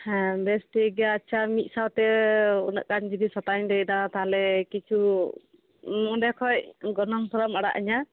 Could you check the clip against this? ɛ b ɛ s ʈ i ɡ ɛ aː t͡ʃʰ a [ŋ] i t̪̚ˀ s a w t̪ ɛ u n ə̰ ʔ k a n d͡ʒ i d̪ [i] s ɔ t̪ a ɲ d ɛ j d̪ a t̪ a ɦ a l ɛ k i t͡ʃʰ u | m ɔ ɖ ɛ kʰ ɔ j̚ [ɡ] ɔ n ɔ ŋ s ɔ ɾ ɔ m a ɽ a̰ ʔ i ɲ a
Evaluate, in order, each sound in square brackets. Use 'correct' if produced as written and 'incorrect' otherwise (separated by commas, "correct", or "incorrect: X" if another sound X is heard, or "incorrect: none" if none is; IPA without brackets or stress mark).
incorrect: m, correct, correct